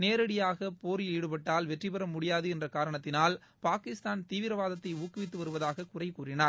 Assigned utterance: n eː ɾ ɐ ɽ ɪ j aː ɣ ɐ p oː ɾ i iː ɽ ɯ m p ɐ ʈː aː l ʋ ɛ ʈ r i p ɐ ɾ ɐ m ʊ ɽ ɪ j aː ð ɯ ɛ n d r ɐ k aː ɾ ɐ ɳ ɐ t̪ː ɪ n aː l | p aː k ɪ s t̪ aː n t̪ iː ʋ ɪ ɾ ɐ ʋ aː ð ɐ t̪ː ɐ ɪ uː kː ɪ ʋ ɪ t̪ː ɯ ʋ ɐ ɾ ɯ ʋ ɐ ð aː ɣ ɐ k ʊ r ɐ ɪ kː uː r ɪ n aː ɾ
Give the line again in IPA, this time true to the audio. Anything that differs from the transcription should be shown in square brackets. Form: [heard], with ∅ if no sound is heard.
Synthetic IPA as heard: n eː ɾ ɐ ɽ ɪ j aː ɣ ɐ p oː ɾ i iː ɽ ɯ [∅] p ɐ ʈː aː l ʋ ɛ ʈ r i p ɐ ɾ ɐ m ʊ ɽ ɪ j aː ð ɯ ɛ n d r ɐ k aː ɾ ɐ ɳ ɐ t̪ː ɪ n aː l | p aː k ɪ s t̪ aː n t̪ iː ʋ ɪ ɾ ɐ ʋ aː ð ɐ t̪ː ɐ ɪ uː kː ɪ ʋ ɪ t̪ː ɯ ʋ ɐ ɾ ɯ ʋ ɐ ð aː ɣ ɐ k ʊ r ɐ ɪ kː uː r ɪ n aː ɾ